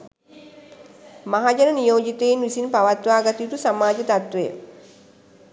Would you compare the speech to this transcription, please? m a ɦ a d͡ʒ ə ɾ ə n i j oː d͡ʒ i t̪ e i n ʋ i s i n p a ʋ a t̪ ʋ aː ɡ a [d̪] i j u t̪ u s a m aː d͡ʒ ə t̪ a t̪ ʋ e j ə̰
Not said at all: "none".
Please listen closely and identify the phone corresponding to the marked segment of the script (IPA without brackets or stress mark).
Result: t̪